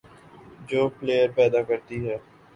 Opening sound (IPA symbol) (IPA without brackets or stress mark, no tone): d͡ʒ